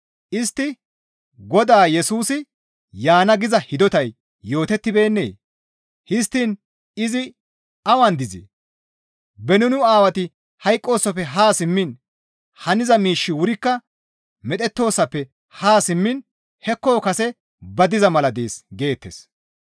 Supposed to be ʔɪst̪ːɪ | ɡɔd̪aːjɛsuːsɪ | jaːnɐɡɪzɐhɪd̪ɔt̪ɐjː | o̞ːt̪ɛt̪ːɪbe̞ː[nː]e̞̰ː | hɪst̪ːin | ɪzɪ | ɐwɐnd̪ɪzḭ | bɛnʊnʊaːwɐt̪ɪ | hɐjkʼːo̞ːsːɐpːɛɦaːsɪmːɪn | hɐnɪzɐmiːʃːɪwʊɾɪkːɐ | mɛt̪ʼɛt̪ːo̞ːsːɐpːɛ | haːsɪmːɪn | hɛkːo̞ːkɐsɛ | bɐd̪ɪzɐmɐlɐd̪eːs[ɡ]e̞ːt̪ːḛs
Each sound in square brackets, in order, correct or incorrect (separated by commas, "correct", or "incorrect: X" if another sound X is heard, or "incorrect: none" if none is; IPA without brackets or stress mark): correct, correct